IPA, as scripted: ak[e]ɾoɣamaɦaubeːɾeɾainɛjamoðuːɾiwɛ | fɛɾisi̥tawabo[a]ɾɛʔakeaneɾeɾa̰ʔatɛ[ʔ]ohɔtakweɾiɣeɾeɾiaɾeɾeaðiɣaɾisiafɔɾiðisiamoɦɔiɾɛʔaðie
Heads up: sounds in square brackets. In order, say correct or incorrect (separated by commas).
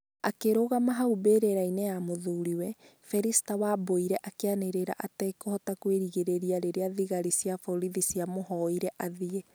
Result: correct, incorrect, incorrect